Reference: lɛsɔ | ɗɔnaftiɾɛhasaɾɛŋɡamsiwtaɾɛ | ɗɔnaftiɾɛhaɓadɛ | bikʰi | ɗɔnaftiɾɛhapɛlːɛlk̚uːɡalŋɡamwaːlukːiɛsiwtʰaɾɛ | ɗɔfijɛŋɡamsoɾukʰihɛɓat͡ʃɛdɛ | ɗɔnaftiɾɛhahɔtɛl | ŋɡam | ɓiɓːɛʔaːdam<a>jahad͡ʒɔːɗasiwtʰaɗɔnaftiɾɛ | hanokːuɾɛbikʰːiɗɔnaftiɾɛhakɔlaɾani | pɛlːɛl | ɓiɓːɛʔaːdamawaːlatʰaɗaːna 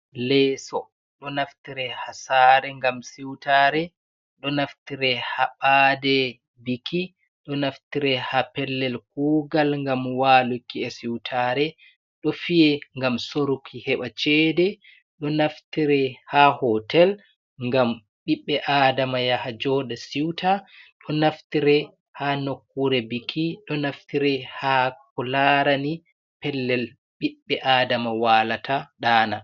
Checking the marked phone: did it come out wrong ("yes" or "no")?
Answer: no